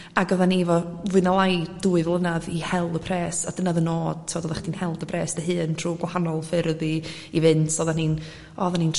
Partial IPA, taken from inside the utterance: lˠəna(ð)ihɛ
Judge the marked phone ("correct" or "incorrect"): correct